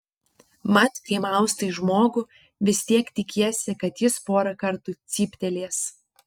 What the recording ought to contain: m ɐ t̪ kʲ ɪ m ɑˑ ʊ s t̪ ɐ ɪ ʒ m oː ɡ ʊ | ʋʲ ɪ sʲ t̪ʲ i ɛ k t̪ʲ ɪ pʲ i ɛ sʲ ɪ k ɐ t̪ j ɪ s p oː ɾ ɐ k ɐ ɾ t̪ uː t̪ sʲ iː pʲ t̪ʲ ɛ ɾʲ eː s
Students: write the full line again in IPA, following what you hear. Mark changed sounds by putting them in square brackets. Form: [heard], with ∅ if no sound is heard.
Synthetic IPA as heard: m ɐ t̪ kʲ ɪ m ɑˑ ʊ s t̪ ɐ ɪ ʒ m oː ɡ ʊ | ʋʲ ɪ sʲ t̪ʲ i ɛ k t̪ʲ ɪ [kʲ] i ɛ sʲ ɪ k ɐ t̪ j ɪ s p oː ɾ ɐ k ɐ ɾ t̪ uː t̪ sʲ iː pʲ t̪ʲ ɛ [lʲ] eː s